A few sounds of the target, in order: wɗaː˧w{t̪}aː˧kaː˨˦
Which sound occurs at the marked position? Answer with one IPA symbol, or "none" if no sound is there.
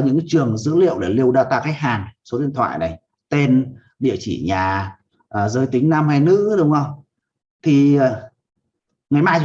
t̪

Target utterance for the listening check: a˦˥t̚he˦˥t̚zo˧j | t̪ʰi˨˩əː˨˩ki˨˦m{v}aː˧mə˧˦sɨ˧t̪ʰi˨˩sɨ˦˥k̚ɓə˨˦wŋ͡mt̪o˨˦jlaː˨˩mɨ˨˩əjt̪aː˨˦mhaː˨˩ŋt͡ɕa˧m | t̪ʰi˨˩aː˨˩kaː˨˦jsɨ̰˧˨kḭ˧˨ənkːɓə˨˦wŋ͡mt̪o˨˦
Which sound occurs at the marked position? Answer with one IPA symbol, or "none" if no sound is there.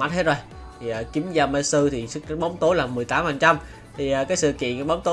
z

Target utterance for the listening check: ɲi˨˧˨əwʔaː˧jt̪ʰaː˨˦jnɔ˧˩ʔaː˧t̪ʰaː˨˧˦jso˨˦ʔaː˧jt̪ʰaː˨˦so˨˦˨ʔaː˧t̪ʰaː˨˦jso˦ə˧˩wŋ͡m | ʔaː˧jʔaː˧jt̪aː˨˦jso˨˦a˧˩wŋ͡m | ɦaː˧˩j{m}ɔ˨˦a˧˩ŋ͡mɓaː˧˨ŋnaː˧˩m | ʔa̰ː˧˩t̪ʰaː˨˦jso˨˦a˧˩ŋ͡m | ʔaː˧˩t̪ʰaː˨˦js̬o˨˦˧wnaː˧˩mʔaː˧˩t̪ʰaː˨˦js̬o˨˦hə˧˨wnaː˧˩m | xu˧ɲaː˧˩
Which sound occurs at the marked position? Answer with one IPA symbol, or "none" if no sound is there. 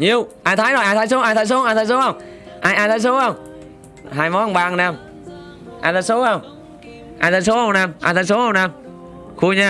m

